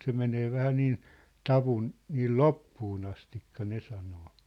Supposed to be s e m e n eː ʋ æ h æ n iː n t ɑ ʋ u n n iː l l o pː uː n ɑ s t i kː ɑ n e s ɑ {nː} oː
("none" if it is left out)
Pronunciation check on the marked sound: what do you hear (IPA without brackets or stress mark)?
n